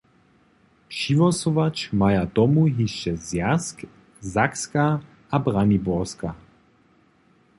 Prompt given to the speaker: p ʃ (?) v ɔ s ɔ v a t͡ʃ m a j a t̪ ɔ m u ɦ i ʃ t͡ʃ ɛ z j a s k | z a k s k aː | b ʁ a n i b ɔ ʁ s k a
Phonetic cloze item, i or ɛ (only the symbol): i